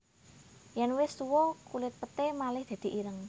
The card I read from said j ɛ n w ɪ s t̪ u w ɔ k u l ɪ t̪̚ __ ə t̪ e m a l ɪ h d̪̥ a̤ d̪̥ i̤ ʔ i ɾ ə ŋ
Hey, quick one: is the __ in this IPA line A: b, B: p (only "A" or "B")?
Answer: B